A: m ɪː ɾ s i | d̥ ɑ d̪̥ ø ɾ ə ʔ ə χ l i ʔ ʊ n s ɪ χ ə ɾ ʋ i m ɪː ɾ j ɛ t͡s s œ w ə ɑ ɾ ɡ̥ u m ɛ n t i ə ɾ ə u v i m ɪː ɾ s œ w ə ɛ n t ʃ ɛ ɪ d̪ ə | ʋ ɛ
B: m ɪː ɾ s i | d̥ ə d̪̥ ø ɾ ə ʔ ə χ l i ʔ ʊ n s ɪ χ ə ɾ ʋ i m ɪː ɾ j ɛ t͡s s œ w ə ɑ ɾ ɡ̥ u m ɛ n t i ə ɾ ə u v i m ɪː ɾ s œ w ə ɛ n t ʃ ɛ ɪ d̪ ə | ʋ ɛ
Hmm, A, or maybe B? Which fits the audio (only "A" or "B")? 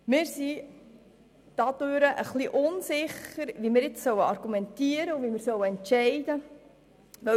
A